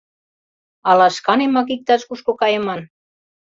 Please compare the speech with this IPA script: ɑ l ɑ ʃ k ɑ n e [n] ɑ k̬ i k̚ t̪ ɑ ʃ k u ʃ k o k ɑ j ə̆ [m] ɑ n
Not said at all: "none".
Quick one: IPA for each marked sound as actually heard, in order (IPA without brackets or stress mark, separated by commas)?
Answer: m, m